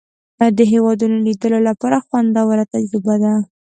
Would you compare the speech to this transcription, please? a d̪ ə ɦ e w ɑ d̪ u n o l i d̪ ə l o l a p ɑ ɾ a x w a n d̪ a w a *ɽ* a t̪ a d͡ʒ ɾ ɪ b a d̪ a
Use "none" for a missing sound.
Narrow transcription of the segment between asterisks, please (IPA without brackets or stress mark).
ɾ